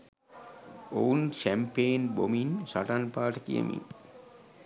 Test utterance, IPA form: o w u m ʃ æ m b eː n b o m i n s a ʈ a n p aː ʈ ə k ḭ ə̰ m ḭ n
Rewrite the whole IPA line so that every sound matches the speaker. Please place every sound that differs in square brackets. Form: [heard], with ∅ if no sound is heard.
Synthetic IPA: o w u [n] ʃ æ m [p] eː n b o m i n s a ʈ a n p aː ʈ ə k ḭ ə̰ m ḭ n